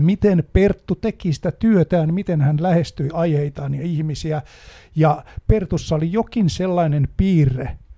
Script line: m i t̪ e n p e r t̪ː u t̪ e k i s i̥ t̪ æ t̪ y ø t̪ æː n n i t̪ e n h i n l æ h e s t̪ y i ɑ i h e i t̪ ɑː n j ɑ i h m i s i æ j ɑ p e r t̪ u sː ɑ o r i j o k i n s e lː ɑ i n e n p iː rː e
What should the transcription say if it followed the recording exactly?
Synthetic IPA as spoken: m i t̪ e n p e r t̪ː u t̪ e k i s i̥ t̪ æ t̪ y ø t̪ æː n m i t̪ e n h æ n l æ h e s t̪ y i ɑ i h e i t̪ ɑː n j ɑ i h m i s i æ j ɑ p e r t̪ u sː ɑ o l i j o k i n s e lː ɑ i n e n p iː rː e